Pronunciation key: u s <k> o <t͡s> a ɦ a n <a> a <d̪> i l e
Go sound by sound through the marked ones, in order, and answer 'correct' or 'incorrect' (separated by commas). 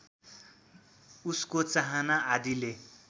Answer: correct, correct, correct, correct